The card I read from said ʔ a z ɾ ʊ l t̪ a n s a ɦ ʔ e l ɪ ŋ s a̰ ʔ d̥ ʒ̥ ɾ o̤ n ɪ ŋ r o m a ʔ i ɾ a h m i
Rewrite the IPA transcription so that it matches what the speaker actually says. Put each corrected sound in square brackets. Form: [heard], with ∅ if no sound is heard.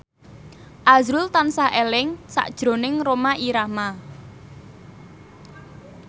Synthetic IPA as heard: ʔ a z ɾ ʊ l t̪ a n s a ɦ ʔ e l ɪ ŋ s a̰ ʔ d̥ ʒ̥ ɾ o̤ n ɪ ŋ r o m a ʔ i ɾ a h m [a]